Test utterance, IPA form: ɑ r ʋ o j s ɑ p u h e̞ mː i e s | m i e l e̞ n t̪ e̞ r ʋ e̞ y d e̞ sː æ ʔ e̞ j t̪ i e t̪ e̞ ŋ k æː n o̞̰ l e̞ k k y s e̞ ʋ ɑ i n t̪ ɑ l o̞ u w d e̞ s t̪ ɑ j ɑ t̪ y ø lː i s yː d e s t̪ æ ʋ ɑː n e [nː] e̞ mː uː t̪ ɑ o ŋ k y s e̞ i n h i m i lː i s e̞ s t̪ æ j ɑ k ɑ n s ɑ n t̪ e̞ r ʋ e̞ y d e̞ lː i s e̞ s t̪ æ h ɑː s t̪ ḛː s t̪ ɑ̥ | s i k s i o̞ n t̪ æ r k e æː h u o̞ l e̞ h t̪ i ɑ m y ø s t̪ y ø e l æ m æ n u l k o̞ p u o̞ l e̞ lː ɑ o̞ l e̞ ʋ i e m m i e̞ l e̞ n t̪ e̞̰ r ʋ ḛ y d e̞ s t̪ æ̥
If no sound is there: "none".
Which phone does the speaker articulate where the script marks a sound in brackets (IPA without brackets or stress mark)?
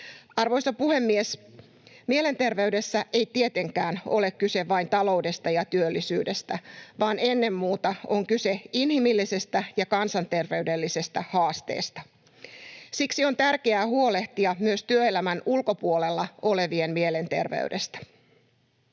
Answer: nː